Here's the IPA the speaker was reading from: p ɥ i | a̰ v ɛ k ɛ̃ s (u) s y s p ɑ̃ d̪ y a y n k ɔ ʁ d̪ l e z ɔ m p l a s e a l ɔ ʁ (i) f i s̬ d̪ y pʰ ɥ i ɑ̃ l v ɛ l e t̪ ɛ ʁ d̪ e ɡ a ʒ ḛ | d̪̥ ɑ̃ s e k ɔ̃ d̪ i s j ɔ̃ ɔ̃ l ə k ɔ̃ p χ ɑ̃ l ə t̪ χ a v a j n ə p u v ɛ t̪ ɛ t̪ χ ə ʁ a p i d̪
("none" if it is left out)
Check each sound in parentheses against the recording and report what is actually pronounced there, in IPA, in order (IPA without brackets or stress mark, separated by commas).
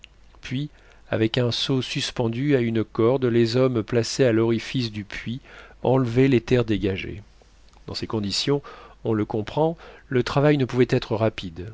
o, i